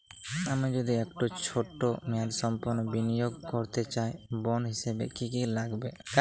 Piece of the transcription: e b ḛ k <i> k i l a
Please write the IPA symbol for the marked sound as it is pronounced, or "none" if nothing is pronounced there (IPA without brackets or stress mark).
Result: i